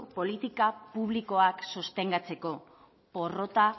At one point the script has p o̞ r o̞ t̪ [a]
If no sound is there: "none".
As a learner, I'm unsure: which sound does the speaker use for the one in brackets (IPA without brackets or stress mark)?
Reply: a